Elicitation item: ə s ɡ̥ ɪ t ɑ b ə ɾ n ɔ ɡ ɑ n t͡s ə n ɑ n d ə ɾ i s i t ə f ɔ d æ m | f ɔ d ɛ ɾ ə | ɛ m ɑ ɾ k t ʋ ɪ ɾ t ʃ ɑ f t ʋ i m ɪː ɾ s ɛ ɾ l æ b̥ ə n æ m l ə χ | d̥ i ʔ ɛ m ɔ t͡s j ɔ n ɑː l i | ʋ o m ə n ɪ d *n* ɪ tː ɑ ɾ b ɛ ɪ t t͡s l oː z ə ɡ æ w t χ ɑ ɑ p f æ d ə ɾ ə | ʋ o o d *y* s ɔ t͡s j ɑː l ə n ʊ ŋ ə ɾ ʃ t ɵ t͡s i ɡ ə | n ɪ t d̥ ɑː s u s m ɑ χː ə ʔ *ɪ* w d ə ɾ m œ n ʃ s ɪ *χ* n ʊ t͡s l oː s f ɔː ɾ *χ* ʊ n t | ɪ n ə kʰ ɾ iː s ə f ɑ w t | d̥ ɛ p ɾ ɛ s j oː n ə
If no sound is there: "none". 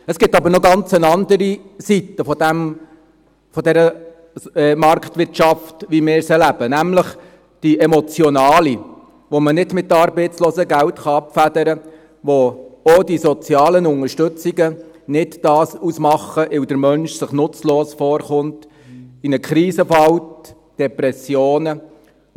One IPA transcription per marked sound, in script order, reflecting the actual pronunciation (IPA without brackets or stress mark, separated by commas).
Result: m, i, ɪ, χ, χ